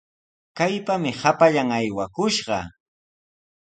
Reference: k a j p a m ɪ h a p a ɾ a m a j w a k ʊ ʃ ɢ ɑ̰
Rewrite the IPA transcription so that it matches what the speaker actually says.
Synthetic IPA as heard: k a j p a m ɪ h a p a ʎ a ŋ a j w a k ʊ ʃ ɢ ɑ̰